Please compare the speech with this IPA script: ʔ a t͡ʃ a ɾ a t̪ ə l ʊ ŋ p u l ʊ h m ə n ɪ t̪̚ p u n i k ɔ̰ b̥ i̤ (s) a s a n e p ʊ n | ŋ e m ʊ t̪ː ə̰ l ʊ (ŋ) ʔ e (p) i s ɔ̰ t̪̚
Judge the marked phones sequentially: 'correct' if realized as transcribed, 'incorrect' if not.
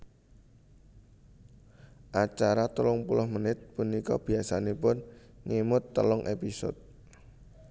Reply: incorrect: none, correct, correct

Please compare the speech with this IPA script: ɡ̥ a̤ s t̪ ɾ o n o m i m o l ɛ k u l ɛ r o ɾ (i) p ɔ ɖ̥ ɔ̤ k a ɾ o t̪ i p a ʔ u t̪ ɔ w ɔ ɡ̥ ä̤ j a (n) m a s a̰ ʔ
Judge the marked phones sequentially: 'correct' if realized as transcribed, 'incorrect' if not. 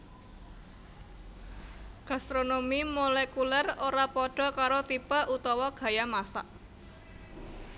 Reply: incorrect: a, incorrect: none

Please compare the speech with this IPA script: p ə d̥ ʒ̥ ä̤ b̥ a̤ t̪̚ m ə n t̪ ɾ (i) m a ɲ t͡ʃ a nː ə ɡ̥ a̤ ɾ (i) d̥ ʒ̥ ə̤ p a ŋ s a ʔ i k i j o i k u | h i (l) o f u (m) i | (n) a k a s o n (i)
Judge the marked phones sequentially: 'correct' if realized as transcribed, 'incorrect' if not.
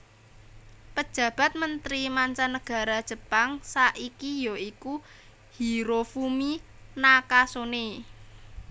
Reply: correct, incorrect: a, incorrect: ɾ, correct, correct, incorrect: e

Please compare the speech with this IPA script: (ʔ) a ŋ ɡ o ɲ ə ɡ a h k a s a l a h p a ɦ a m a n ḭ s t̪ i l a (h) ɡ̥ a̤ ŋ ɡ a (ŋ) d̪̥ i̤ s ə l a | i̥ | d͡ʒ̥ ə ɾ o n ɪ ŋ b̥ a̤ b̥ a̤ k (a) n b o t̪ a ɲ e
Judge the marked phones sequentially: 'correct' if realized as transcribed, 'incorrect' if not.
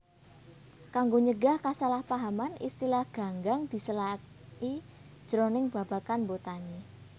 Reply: incorrect: k, correct, correct, correct

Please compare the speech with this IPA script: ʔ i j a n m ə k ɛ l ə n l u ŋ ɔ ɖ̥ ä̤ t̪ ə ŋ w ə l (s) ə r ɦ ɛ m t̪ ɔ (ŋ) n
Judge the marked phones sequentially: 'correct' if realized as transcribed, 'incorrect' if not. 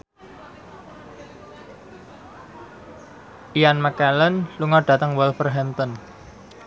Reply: incorrect: f, incorrect: none

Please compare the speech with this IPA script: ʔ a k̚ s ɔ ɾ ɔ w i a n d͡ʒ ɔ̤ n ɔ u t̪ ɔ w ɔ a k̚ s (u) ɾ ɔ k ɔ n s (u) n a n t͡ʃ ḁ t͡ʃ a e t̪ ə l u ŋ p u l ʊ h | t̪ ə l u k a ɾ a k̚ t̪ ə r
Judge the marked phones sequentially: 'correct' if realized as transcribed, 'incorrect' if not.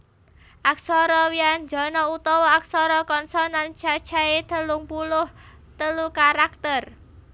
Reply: incorrect: ɔ, incorrect: ɔ

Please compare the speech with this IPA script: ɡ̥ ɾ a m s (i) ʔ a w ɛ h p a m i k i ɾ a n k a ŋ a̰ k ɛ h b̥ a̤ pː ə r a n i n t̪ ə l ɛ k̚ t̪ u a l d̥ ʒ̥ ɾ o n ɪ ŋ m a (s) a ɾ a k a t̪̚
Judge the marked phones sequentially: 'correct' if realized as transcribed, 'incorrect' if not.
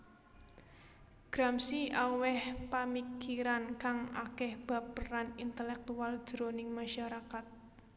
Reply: correct, incorrect: ʃ

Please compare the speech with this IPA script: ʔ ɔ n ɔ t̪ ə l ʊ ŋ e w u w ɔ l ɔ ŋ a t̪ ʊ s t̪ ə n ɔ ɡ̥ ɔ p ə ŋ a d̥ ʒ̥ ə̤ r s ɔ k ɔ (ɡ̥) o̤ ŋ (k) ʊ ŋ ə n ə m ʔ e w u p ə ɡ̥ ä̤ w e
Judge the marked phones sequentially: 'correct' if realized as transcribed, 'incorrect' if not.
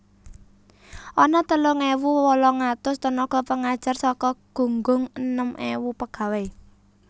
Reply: correct, incorrect: ɡ

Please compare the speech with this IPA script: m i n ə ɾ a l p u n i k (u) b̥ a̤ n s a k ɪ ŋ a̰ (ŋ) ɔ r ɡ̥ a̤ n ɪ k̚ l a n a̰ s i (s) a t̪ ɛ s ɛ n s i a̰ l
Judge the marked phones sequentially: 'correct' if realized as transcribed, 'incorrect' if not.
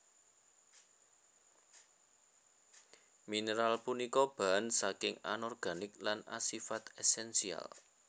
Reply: incorrect: ɔ, incorrect: n, incorrect: f

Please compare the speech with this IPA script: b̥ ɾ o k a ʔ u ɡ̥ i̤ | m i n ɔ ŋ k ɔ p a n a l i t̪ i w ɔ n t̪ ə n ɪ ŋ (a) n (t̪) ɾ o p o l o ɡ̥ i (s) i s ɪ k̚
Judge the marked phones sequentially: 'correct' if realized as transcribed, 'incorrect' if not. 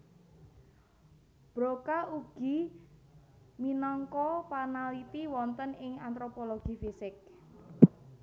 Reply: correct, correct, incorrect: f

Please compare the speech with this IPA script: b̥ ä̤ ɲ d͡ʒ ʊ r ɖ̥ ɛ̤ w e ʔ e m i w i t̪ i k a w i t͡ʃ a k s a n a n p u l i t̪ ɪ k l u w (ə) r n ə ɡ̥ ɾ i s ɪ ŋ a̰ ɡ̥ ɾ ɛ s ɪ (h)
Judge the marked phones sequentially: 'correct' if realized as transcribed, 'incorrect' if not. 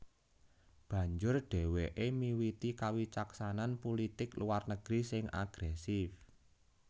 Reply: incorrect: a, incorrect: f

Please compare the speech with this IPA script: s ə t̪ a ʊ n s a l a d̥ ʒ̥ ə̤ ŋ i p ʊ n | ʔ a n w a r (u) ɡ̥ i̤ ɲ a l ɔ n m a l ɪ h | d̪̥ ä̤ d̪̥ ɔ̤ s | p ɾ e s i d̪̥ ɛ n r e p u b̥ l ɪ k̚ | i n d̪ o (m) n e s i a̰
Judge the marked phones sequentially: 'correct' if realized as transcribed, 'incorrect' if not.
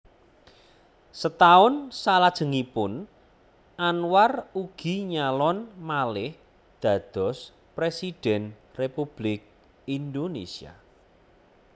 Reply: correct, incorrect: none

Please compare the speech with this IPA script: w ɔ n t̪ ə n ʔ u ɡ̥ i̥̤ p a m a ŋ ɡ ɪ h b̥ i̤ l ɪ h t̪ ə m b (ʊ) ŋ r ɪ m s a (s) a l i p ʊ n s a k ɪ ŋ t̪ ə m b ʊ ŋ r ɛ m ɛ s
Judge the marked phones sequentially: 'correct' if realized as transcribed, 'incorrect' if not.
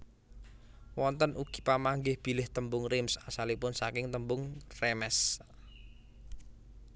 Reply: correct, correct

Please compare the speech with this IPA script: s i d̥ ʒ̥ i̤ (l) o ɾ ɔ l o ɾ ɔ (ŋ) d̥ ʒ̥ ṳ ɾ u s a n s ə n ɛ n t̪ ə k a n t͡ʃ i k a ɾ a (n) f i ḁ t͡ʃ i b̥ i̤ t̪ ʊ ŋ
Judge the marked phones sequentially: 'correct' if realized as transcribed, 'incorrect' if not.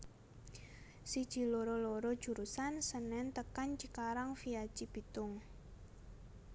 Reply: correct, incorrect: none, incorrect: ŋ

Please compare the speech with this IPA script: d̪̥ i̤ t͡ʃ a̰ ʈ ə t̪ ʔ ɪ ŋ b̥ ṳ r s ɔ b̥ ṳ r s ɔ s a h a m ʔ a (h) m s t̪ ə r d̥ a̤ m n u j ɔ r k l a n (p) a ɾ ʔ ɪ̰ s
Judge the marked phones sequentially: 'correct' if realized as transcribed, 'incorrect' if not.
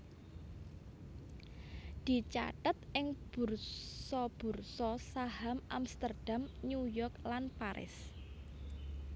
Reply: incorrect: none, correct

